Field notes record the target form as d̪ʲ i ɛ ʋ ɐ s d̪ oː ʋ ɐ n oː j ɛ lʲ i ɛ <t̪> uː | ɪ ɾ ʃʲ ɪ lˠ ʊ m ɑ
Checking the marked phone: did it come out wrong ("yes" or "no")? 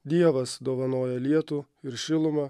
no